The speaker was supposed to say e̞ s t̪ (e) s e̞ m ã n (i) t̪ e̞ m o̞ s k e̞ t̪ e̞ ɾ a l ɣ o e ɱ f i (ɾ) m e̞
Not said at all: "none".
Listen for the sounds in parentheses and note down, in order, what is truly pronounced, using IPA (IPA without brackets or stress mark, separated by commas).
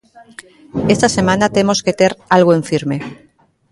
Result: a, a, ɾ